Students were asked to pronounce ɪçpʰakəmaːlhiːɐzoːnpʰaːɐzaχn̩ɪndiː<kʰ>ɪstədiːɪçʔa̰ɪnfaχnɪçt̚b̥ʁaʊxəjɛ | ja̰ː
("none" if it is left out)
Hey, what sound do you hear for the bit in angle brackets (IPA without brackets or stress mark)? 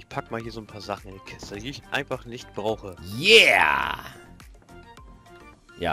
kʰ